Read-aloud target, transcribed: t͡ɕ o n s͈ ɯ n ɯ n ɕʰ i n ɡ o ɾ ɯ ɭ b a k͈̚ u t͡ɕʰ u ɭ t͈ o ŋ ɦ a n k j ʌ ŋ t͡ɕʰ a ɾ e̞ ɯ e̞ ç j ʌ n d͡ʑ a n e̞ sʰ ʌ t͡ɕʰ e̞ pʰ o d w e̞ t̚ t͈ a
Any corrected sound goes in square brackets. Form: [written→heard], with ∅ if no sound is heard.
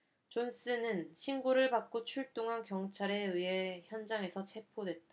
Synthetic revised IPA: t͡ɕ o n s͈ ɯ n ɯ n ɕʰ i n ɡ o ɾ ɯ ɭ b a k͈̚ [u→o] t͡ɕʰ u ɭ t͈ o ŋ ɦ a n k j ʌ ŋ t͡ɕʰ a ɾ e̞ ɯ e̞ ç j ʌ n d͡ʑ a [n→ŋ] e̞ sʰ ʌ t͡ɕʰ e̞ pʰ o d w e̞ t̚ t͈ a